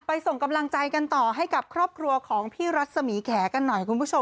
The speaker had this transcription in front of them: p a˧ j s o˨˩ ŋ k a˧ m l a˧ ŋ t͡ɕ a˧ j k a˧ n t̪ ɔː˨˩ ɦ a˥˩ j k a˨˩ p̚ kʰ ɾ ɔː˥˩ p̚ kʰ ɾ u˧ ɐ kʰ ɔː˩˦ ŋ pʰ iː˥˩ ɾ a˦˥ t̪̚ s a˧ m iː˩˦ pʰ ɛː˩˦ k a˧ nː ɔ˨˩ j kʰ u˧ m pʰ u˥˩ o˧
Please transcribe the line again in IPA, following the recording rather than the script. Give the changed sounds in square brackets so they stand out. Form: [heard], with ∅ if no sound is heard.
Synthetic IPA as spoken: p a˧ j s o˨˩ ŋ k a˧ m l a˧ ŋ t͡ɕ a˧ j k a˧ n t̪ ɔː˨˩ ɦ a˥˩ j k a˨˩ p̚ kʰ ɾ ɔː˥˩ p̚ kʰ ɾ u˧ ɐ kʰ ɔː˩˦ ŋ pʰ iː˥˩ ɾ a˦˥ t̪̚ s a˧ m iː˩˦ [kʰ] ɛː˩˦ k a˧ nː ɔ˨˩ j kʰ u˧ [n] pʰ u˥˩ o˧